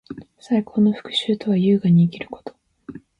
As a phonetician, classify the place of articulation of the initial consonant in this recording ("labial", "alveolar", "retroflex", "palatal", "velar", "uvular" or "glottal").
alveolar